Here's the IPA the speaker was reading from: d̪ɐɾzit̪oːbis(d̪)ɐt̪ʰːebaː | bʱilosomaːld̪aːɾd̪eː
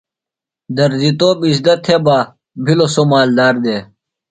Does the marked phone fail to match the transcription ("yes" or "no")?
no